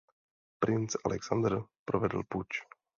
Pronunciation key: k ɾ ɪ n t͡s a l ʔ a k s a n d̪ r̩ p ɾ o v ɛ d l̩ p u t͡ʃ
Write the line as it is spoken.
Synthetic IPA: p ɾ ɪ n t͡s a l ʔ ɛ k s a n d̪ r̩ p ɾ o v ɛ d l̩ p u t͡ʃ